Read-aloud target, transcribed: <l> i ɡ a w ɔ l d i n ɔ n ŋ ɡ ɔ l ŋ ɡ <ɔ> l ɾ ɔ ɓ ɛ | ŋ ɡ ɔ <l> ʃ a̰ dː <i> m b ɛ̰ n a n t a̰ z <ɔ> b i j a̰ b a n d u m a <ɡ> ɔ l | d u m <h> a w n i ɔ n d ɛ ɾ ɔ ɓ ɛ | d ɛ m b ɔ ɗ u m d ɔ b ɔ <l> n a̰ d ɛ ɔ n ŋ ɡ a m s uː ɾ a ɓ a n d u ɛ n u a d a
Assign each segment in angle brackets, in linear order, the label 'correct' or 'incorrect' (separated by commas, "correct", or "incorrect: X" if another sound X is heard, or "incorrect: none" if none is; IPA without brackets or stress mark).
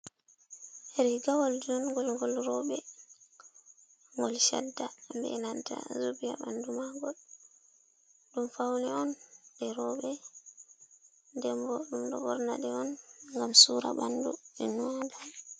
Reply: incorrect: ɾ, correct, correct, incorrect: a, incorrect: u, correct, incorrect: f, incorrect: ɾ